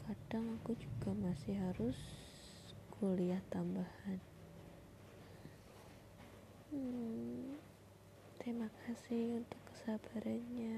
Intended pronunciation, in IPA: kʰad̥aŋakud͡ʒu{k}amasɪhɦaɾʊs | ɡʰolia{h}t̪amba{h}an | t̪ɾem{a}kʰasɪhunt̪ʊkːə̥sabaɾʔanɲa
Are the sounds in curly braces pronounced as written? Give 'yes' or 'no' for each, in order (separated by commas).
no, yes, yes, yes